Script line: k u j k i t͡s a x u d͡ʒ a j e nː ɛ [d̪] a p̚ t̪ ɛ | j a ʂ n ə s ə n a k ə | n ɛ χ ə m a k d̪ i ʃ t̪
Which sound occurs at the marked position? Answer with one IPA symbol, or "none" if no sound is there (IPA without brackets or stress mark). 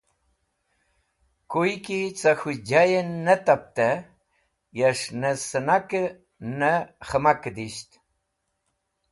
t̪